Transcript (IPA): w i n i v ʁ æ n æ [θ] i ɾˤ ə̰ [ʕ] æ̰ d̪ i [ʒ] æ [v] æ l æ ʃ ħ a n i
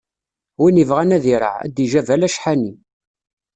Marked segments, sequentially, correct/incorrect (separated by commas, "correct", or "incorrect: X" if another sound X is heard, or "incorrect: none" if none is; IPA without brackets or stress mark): incorrect: ð, correct, correct, correct